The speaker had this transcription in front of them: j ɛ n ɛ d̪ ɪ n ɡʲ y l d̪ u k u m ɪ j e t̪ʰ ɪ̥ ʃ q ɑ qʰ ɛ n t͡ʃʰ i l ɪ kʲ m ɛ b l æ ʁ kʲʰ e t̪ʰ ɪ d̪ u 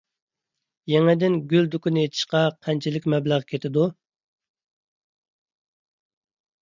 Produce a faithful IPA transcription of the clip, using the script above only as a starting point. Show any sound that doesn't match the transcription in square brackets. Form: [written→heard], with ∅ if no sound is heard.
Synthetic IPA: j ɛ [n→ŋ] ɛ d̪ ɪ n ɡʲ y l d̪ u k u [m→n] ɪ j e t̪ʰ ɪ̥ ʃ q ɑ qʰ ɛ n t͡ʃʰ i l ɪ kʲ m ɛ b l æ ʁ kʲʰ e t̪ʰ ɪ d̪ u